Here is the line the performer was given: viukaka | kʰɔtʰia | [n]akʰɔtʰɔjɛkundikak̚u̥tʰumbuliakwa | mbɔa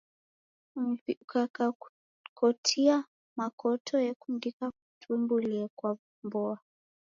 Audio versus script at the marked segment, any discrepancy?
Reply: yes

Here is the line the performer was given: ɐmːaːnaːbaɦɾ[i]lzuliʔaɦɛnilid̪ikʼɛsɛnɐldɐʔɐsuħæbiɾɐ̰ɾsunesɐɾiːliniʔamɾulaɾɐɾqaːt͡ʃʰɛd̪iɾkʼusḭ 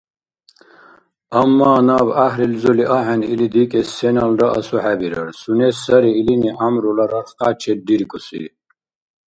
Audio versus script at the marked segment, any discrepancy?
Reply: no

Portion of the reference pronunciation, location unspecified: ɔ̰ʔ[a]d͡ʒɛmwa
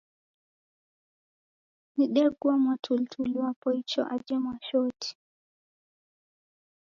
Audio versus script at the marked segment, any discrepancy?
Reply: no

